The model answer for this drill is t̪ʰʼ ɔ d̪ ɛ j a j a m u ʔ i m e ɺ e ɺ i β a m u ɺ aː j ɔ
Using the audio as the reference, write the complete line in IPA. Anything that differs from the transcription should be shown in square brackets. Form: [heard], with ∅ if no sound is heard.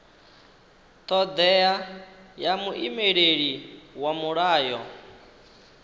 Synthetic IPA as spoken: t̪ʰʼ ɔ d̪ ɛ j a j a m u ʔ i m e ɺ e ɺ i [w] a m u ɺ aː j ɔ